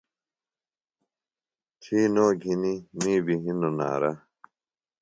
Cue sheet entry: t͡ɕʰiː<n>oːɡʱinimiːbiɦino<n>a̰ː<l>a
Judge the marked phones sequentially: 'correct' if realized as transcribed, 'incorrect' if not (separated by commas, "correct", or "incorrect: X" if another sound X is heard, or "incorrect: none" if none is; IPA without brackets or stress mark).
correct, correct, incorrect: ɾ